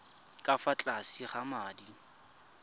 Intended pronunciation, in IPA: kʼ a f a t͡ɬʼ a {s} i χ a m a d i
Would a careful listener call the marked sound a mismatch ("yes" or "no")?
no